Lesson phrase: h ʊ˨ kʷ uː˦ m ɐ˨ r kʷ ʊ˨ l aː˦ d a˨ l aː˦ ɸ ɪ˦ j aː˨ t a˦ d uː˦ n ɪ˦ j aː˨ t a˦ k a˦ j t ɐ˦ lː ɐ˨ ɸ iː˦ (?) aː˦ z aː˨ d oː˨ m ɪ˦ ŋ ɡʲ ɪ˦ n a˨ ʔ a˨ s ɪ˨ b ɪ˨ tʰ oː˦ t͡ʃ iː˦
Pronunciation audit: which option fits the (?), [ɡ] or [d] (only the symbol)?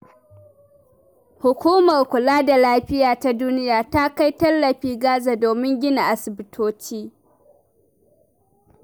ɡ